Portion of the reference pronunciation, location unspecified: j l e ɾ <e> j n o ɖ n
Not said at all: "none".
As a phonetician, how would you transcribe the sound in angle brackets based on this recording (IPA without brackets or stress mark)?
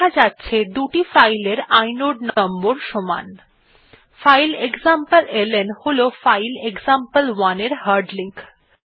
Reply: a